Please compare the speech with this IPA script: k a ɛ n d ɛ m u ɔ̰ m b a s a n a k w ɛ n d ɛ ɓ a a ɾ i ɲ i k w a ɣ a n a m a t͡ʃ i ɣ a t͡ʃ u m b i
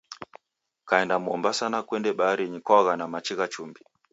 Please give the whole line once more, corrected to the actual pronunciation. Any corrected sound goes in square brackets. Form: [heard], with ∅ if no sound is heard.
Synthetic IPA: k a ɛ n d [a] m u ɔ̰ m b a s a n a k w ɛ n d ɛ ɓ a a ɾ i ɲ i k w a ɣ a n a m a t͡ʃ i ɣ a t͡ʃ u m b i